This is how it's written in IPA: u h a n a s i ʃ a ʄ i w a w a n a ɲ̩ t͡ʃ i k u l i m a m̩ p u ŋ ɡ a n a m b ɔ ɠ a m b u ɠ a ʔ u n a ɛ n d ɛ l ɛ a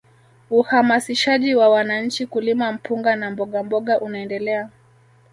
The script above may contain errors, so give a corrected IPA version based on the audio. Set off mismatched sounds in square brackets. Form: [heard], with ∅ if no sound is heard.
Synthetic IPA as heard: u h a [m] a s i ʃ a ʄ i w a w a n a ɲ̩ t͡ʃ i k u l i m a m̩ p u ŋ ɡ a n a m b ɔ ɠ a m b [ɔ] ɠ a ʔ u n a ɛ n d ɛ l ɛ a

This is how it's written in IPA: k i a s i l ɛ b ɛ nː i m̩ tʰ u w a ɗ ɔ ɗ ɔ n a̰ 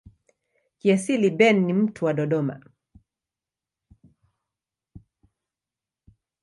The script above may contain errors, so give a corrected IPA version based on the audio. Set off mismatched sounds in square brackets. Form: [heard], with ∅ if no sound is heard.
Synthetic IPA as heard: k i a s i l [i] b ɛ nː i m̩ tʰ u w a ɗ ɔ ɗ ɔ [m] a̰

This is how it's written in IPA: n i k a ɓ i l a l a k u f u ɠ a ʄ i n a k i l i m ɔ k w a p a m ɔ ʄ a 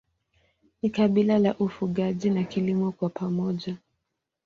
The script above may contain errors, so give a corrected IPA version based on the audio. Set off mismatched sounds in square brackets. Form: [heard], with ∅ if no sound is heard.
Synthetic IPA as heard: n i k a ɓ i l a l a [ʔ] u f u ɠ a ʄ i n a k i l i m ɔ k w a p a m ɔ ʄ a

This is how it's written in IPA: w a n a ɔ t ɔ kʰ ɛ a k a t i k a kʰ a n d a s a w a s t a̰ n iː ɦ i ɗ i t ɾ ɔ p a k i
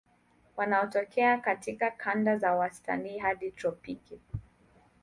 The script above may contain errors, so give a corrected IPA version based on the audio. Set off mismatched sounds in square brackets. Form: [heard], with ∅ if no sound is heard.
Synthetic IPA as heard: w a n a ɔ t ɔ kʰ ɛ a k a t i k a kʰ a n d a [z] a w a s t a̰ n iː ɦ [a] ɗ i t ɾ ɔ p [i] k i

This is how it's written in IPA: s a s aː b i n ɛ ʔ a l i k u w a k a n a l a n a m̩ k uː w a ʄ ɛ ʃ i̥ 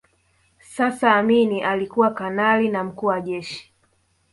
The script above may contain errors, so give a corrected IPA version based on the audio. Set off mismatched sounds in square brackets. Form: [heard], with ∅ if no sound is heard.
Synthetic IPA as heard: s a s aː [m] i n [i] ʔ a l i k u w a k a n a l [i] n a m̩ k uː w a ʄ ɛ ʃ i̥

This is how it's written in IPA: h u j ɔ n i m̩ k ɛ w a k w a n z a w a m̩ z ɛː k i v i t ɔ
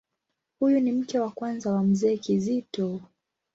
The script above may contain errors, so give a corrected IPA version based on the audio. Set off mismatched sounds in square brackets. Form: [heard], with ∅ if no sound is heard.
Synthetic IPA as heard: h u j [u] n i m̩ k ɛ w a k w a n z a w a m̩ z ɛː k i [z] i t ɔ

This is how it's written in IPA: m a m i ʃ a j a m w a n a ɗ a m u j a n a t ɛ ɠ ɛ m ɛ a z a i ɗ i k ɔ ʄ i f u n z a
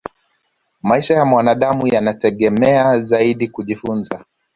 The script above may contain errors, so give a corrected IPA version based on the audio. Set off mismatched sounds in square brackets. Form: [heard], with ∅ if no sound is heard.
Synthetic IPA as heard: m a [∅] i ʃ a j a m w a n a ɗ a m u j a n a t ɛ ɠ ɛ m ɛ a z a i ɗ i k [u] ʄ i f u n z a

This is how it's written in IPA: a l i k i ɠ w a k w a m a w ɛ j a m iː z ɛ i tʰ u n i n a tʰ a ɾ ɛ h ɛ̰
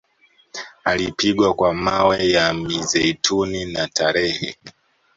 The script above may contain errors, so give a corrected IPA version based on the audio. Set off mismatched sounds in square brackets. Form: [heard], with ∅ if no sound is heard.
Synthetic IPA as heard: a l i [p] i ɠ w a k w a m a w ɛ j a m [i] z ɛ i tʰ u n i n a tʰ a ɾ ɛ h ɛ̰

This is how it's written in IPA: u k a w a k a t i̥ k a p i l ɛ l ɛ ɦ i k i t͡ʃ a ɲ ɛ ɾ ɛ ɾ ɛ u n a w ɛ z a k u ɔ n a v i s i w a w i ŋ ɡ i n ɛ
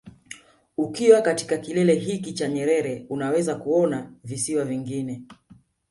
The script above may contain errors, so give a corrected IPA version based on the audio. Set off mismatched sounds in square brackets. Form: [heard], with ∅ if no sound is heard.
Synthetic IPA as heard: u k [i] w a k a t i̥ k a [k] i l ɛ l ɛ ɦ i k i t͡ʃ a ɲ ɛ ɾ ɛ ɾ ɛ u n a w ɛ z a k u ɔ n a v i s i w a [v] i ŋ ɡ i n ɛ

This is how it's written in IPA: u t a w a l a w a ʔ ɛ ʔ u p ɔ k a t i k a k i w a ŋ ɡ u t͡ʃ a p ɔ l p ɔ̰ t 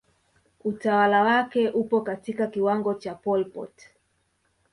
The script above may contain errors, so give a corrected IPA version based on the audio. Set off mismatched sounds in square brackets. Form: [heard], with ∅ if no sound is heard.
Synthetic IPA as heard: u t a w a l a w a [k] ɛ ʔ u p ɔ k a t i k a k i w a ŋ ɡ [ɔ] t͡ʃ a p ɔ l p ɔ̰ t

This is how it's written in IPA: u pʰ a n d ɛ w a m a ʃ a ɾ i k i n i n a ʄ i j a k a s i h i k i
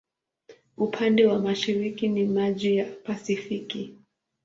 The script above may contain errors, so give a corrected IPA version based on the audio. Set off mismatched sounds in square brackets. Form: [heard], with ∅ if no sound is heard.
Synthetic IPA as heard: u pʰ a n d ɛ w a m a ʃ [i] ɾ i k i n i [m] a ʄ i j a [p] a s i [f] i k i

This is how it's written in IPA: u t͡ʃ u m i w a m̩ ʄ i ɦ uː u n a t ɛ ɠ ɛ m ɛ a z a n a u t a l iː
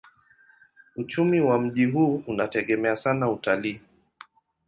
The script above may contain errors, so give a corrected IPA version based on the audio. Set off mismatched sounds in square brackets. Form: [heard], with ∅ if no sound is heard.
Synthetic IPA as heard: u t͡ʃ u m i w a m̩ ʄ i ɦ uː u n a t ɛ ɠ ɛ m ɛ a [s] a n a u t a l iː

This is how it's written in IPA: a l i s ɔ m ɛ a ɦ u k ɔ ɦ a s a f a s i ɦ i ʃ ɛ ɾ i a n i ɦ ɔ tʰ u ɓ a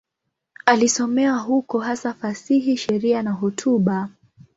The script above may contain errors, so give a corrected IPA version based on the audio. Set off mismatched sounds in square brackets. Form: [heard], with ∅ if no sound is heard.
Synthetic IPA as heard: a l i s ɔ m ɛ a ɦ u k ɔ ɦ a s a f a s i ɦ i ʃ ɛ ɾ i a n [a] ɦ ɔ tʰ u ɓ a

